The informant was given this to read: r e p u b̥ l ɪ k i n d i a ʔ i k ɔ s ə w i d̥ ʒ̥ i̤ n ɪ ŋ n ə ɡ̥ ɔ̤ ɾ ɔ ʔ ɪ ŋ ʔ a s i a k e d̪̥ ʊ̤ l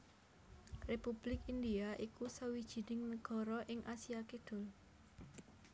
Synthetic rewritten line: r e p u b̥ l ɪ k i n d i a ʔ i k u s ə w i d̥ ʒ̥ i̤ n ɪ ŋ n ə ɡ̥ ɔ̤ ɾ ɔ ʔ ɪ ŋ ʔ a s i a k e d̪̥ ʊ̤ l

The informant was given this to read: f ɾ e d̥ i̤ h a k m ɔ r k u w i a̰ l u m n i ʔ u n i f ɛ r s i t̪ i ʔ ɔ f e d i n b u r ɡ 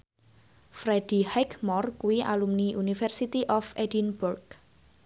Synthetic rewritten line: f ɾ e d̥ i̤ h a k m ɔ r k u w i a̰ l u m n i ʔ u n i f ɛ r s i t̪ i ʔ ɔ f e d i n b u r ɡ

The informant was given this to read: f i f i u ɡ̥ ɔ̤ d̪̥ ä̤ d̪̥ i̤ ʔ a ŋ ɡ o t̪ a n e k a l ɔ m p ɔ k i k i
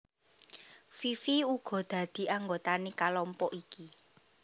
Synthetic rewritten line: f i f i u ɡ̥ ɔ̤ d̪̥ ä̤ d̪̥ i̤ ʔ a ŋ ɡ o t̪ a n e k a l ɔ m p ɔ ʔ i k i

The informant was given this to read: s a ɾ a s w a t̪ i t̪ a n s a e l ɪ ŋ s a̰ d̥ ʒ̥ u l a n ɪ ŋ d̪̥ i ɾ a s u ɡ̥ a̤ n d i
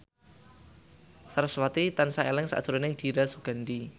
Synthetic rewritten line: s a ɾ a s w a t̪ i t̪ a n s a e l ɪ ŋ s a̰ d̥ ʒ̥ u ɾ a n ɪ ŋ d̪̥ i ɾ a s u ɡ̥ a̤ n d i

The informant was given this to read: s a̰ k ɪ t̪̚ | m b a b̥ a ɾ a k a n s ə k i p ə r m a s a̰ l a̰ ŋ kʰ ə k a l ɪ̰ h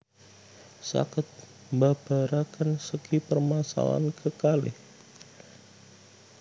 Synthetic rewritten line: s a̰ k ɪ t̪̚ | m b a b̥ a ɾ a k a n s ə k i p ə r m a s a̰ l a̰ n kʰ ə k a l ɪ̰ h

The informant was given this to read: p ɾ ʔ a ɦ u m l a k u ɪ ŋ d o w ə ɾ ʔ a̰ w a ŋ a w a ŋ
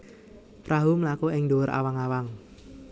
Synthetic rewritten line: p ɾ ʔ a ɦ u m l a k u ɪ ŋ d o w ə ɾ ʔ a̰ w a ŋ a w a ŋ

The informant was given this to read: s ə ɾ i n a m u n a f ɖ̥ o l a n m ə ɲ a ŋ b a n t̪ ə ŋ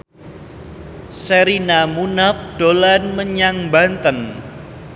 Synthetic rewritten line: s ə ɾ i n a m u n a f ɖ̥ o l a n m ə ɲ a ŋ b a n t̪ ə n

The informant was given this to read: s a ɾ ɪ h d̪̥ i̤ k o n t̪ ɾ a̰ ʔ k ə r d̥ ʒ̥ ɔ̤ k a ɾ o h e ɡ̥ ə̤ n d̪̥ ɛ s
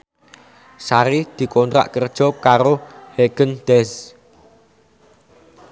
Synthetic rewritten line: s a ɾ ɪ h d̪̥ i̤ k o n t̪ ɾ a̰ ʔ k ə r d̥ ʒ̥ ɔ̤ k a ɾ o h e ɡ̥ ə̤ n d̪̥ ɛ s

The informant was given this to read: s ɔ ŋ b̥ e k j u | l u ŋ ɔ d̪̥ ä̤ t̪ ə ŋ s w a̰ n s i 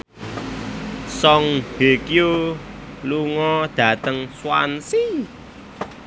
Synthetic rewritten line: s ɔ ŋ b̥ e k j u | l u ŋ ɔ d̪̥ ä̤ t̪ ə ŋ s w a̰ n s i

